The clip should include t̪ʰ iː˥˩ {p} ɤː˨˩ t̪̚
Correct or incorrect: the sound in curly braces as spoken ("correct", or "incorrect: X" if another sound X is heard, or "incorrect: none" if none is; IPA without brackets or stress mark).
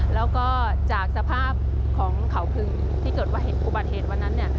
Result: incorrect: k